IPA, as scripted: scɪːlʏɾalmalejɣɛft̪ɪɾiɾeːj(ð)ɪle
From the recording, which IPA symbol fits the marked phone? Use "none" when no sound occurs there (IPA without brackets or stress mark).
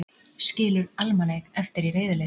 ð